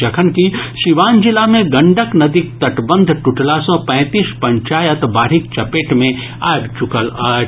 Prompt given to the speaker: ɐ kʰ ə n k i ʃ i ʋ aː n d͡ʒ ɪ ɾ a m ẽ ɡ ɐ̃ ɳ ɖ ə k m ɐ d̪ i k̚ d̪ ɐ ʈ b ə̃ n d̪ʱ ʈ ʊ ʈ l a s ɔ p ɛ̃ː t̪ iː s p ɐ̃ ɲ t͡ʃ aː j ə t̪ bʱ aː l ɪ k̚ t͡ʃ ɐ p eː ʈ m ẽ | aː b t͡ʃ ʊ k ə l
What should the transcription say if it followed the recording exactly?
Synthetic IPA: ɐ kʰ ə n k i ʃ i ʋ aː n d͡ʒ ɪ l a m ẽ ɡ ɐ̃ ɳ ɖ ə k n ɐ d̪ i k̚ t̪ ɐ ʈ b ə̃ n d̪ʱ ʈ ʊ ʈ l a s ɔ p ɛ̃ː t̪ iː s p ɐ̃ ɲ t͡ʃ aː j ə t̪ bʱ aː ɾ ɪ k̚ t͡ʃ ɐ p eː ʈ m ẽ | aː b t͡ʃ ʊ k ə l